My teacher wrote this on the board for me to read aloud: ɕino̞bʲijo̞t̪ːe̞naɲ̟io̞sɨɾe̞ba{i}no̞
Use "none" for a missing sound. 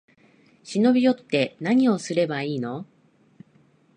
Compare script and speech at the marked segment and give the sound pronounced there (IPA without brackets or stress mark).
iː